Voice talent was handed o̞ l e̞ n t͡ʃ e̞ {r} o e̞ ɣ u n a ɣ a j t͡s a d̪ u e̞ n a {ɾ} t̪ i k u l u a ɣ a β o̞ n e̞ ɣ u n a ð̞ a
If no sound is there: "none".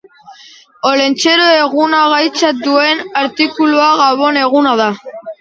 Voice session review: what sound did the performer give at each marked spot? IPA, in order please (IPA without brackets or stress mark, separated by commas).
ɾ, ɾ